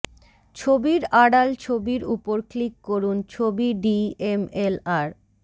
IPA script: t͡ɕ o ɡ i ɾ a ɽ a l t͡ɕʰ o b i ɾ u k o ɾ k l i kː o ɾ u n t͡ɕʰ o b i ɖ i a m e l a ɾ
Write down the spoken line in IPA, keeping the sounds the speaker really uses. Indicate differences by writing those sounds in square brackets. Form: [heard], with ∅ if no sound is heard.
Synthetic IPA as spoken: [t͡ɕʰ] o [b] i ɾ a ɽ a l t͡ɕʰ o b i ɾ u [p] o ɾ k l i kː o ɾ u n t͡ɕʰ o b i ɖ i [e] m e l a ɾ